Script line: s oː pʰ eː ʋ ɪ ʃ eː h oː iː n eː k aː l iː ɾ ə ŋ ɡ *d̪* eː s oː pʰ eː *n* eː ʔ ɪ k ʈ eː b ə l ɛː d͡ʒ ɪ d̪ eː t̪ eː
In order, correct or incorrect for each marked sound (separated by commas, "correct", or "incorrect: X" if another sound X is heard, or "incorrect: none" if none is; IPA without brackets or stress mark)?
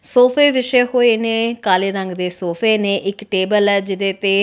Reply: correct, correct